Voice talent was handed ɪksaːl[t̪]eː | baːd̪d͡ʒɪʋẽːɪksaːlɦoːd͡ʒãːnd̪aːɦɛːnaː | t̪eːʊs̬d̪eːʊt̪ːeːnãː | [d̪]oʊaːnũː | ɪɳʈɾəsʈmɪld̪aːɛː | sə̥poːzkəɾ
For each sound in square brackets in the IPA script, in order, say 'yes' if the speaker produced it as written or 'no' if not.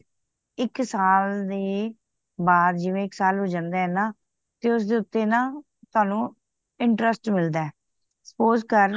no, no

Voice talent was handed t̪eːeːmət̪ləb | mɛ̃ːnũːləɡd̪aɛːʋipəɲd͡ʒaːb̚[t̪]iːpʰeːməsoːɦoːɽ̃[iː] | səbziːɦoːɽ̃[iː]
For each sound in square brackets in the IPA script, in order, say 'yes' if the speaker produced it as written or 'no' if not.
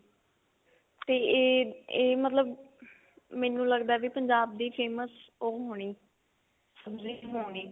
no, yes, yes

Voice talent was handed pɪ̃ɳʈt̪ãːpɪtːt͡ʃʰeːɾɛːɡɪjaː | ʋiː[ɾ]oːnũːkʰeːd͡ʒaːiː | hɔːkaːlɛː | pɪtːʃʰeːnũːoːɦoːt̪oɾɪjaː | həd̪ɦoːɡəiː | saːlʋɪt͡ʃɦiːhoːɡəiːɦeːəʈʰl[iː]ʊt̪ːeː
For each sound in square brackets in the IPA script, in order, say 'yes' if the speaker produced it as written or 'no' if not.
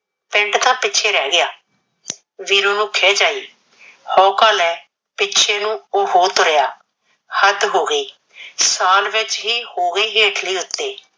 yes, yes

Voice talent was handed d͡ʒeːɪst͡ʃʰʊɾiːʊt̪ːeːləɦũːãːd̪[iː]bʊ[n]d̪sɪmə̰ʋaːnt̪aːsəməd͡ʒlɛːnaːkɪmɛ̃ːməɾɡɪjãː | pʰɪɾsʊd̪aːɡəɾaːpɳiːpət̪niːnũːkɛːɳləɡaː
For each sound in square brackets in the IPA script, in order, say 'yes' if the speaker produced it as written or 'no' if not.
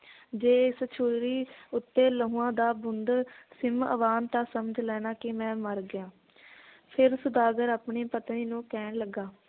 no, yes

